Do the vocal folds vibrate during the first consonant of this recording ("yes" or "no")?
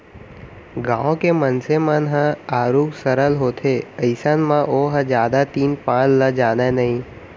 yes